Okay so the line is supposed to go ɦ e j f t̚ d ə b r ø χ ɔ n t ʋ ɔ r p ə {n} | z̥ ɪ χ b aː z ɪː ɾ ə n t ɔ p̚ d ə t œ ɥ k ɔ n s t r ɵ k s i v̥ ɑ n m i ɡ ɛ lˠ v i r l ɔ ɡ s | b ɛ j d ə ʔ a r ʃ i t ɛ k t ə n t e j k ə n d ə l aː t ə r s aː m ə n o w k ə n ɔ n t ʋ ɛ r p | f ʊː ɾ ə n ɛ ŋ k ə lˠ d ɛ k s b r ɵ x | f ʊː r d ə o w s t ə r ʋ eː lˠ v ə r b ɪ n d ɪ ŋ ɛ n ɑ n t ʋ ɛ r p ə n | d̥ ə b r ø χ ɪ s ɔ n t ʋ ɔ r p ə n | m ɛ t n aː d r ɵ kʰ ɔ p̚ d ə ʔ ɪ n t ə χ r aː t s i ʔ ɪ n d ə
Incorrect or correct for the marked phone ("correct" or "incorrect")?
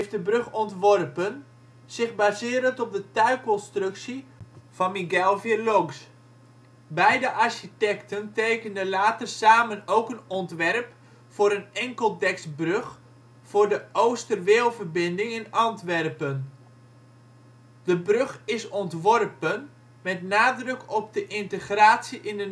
correct